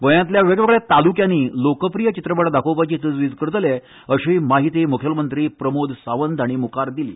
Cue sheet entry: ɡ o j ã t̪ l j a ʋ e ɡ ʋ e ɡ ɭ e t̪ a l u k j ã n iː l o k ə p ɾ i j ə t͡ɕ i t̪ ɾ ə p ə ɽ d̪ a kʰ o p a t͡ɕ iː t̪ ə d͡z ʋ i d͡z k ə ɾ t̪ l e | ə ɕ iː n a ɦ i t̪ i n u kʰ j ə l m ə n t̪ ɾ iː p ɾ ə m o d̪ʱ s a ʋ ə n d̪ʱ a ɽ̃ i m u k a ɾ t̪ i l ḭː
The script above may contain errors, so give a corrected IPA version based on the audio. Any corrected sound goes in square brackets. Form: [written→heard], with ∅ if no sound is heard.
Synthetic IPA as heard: ɡ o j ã t̪ l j a ʋ e ɡ ʋ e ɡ ɭ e t̪ a l u k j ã n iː l o k ə p ɾ i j ə t͡ɕ i t̪ ɾ ə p ə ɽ d̪ a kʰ o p a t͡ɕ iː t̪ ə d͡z ʋ i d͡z k ə ɾ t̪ l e | ə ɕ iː [n→m] a ɦ i t̪ i [n→m] u kʰ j ə l m ə n t̪ ɾ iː p ɾ ə m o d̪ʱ s a ʋ ə n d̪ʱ a ɽ̃ i m u k a ɾ [t̪→d̪] i l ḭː